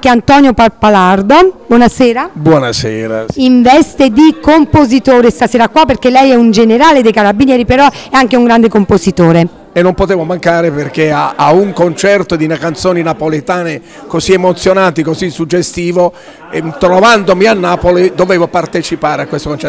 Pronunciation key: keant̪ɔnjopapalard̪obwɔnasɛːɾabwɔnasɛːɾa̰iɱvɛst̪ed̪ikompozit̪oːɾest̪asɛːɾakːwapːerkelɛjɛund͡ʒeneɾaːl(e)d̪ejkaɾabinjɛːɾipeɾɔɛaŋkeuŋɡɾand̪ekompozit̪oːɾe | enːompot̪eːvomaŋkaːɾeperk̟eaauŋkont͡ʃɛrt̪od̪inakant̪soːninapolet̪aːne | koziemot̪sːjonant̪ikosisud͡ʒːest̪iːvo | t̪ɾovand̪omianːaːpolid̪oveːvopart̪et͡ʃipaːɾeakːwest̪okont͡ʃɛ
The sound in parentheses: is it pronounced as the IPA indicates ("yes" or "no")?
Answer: yes